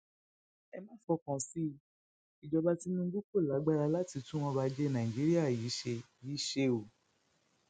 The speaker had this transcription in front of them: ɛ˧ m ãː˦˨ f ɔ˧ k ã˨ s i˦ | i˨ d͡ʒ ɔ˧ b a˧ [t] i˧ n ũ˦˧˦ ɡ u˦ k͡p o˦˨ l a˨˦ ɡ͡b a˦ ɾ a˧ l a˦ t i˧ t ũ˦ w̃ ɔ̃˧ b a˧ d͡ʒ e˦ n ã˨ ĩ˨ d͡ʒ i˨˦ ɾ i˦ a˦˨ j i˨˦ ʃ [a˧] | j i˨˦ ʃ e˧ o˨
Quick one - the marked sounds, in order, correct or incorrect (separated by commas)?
correct, incorrect